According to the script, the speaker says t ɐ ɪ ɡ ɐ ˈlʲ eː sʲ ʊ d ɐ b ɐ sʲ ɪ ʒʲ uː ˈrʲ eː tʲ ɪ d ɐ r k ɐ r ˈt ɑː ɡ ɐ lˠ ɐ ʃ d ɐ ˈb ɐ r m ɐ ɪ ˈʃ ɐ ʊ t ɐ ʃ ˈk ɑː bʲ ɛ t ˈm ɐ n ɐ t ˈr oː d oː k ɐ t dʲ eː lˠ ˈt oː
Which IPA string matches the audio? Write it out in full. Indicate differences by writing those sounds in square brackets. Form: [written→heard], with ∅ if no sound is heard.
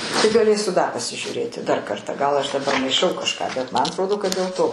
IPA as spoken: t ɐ ɪ ɡ ɐ ˈlʲ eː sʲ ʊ d ɐ [b→p] ɐ sʲ ɪ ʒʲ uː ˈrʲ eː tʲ ɪ d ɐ r k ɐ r ˈt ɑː ɡ ɐ lˠ ɐ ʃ d ɐ ˈb ɐ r m ɐ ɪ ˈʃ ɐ ʊ [t→k] ɐ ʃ ˈk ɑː bʲ ɛ t ˈm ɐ n ɐ t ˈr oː d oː k ɐ t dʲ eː lˠ ˈt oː

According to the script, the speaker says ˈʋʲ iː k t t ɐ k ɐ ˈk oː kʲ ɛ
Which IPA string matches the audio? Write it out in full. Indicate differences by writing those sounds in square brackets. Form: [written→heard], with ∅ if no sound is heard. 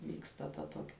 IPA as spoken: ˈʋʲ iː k [t→s] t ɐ [k→t] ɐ [ˈk→ˈt] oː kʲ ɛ

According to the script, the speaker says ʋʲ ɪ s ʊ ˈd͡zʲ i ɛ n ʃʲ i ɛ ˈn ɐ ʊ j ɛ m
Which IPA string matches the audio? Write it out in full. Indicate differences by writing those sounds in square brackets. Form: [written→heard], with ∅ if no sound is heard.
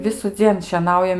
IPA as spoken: ʋʲ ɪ s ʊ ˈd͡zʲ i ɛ n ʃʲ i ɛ ˈn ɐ ʊ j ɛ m

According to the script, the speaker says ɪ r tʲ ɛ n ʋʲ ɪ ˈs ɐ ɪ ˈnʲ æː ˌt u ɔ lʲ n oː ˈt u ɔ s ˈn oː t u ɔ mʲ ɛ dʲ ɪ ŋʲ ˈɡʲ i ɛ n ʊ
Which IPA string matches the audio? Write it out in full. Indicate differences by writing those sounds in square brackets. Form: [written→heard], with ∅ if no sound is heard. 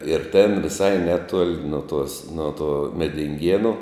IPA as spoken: ɪ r tʲ ɛ n ʋʲ ɪ ˈs ɐ ɪ ˈnʲ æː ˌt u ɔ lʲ n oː ˈt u ɔ s ˈn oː t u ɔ mʲ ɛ dʲ ɪ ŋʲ ˈɡʲ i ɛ n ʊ

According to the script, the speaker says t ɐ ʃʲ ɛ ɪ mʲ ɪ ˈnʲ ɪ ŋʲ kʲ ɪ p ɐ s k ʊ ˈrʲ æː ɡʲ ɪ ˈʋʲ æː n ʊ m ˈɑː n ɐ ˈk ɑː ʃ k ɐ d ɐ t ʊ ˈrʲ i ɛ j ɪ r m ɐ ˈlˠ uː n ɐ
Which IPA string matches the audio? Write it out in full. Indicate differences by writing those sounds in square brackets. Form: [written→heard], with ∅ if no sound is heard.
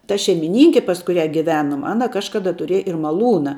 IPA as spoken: t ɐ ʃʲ ɛ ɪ mʲ ɪ ˈnʲ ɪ ŋʲ kʲ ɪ p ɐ s k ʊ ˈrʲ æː ɡʲ ɪ ˈʋʲ æː n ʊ m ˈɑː n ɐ ˈk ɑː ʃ k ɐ d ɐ t ʊ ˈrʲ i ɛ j ɪ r m ɐ ˈlˠ uː n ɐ

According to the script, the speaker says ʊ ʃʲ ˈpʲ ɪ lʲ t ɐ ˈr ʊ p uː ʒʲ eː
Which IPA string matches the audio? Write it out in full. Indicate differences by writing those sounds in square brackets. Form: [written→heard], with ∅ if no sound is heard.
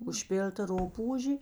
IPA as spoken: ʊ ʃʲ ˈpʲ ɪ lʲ t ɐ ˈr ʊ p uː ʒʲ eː

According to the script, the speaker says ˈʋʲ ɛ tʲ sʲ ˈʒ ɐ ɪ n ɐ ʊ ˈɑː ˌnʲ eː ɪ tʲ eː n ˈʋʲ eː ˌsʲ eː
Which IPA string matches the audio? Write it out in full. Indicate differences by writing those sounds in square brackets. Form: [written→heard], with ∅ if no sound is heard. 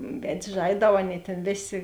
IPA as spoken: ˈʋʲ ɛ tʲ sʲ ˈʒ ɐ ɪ [n→d] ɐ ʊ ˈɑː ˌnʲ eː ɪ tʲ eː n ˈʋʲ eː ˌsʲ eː

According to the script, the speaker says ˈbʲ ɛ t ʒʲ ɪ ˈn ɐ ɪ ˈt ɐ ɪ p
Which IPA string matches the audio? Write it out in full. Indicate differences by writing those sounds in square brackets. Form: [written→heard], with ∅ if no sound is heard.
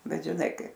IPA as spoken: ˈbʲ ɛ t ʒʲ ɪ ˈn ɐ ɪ [ˈt→ˈk] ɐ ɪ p

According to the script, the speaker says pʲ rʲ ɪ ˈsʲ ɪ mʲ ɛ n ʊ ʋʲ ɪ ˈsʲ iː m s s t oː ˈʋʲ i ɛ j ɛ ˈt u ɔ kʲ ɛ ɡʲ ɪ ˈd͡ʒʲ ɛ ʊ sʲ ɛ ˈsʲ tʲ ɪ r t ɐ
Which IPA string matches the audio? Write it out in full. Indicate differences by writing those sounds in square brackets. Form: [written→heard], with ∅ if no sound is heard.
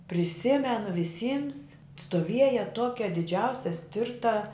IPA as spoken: pʲ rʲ ɪ ˈsʲ ɪ mʲ ɛ n ʊ ʋʲ ɪ ˈsʲ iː m s s t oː ˈʋʲ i ɛ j ɛ ˈt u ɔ kʲ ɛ [ɡʲ→dʲ] ɪ ˈd͡ʒʲ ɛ ʊ sʲ ɛ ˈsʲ tʲ ɪ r t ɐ

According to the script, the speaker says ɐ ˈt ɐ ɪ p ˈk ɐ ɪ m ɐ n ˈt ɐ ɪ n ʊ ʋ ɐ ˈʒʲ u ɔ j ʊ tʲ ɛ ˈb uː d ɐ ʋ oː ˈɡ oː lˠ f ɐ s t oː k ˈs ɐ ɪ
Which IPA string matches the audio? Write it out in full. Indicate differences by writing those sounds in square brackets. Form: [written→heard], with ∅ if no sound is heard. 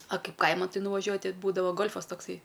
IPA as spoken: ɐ [ˈt→ˈk] ɐ ɪ p ˈk ɐ ɪ m ɐ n ˈt ɐ ɪ n ʊ ʋ ɐ ˈʒʲ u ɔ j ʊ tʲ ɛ ˈb uː d ɐ ʋ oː ˈɡ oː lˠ f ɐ s t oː k ˈs ɐ ɪ

